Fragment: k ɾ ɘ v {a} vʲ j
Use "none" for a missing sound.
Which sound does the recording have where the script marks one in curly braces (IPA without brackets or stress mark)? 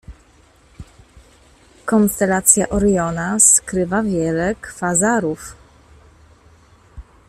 a